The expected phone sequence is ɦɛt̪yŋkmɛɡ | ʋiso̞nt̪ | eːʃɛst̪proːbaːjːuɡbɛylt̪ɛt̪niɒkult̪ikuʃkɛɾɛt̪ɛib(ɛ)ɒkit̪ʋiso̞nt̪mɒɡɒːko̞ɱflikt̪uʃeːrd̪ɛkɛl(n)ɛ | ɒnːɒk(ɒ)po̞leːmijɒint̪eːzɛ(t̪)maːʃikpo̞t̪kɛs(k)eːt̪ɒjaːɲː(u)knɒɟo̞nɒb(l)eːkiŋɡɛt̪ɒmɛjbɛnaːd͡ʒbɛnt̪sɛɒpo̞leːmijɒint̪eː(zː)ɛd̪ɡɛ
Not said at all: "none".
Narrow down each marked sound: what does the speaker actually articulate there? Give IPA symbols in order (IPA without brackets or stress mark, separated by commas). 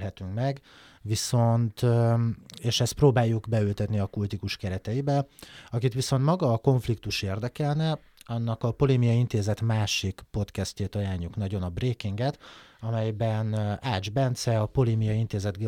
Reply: ɛ, n, ɒ, t̪, c, u, r, z